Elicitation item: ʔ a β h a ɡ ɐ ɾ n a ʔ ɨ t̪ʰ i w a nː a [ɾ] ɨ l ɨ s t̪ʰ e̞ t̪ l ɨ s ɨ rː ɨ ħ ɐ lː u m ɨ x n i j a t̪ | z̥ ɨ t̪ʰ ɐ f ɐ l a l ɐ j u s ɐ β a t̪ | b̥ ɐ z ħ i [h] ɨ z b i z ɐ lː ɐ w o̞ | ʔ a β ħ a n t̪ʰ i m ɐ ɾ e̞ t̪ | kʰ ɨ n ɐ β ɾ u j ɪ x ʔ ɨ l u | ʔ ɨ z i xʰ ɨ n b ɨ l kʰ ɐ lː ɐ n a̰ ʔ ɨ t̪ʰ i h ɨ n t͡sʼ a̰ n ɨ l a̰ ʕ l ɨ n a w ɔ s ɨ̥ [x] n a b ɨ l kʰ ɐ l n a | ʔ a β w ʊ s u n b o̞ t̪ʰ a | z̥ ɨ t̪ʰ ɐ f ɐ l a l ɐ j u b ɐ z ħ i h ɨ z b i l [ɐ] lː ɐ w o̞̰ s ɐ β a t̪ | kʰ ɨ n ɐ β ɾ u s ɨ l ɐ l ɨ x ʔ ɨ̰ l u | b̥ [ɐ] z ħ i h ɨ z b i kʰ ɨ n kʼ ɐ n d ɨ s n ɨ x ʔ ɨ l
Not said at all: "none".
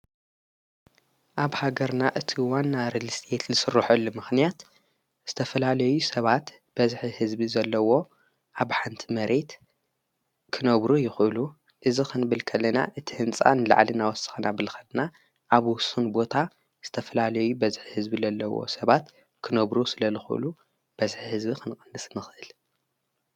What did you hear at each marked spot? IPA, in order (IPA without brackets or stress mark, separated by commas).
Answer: ɾ, h, x, ɐ, ɐ